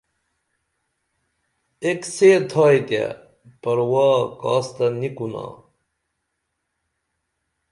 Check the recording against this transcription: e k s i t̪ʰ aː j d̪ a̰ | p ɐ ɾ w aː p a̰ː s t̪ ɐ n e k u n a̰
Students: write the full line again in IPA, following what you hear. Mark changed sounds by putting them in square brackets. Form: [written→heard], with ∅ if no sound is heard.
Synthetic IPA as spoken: e k s [i→e] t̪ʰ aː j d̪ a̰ | p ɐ ɾ w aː [p→k] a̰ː s t̪ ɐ n [e→i] k u n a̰